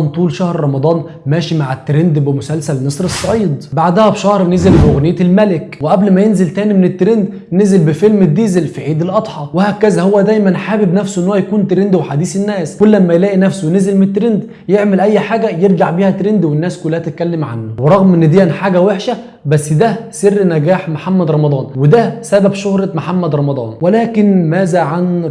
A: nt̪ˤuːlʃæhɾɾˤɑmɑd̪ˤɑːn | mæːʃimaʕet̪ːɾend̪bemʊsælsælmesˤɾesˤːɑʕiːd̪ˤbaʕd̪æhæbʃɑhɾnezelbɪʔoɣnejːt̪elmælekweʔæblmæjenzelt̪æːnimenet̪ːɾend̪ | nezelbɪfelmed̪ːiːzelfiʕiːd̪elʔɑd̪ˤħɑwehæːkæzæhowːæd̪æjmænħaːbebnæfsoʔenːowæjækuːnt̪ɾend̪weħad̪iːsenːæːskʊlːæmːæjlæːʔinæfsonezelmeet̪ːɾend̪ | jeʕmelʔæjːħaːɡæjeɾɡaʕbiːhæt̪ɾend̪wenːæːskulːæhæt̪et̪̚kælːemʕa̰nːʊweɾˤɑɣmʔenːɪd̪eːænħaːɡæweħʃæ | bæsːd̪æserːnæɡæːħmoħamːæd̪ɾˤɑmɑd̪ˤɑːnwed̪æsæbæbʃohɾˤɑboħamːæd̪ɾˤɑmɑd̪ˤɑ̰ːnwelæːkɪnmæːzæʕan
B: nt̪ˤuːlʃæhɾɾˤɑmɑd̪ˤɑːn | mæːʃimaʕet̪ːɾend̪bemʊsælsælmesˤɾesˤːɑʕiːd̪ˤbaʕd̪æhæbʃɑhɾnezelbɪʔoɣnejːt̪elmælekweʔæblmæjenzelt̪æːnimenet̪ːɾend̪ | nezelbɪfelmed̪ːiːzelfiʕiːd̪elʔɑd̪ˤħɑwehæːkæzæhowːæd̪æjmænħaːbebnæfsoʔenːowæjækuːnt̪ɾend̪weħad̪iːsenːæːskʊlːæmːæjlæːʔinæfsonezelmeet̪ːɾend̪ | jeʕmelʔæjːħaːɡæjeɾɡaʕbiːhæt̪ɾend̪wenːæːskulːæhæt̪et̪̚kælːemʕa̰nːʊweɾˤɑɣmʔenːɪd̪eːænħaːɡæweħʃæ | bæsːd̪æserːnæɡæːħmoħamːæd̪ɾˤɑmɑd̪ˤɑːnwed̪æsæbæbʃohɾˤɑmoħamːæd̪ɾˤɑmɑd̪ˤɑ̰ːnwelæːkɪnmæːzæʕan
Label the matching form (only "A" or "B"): B